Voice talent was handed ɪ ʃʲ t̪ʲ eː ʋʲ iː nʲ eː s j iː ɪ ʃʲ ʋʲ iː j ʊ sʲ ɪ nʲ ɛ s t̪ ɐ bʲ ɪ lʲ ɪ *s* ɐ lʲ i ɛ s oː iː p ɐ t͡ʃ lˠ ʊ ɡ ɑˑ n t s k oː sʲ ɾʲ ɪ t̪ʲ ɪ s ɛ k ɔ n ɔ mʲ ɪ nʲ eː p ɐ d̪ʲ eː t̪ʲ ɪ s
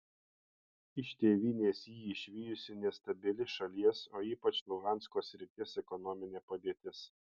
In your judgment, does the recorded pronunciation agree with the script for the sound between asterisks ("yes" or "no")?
no